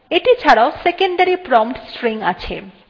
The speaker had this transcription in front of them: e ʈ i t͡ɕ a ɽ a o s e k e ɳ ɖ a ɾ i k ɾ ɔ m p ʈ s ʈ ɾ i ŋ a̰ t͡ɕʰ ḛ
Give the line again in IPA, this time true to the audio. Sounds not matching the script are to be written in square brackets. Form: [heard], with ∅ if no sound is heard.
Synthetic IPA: e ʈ i [t͡ɕʰ] a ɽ a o s e k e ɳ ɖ a ɾ i [p] ɾ ɔ m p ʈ s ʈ ɾ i ŋ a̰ t͡ɕʰ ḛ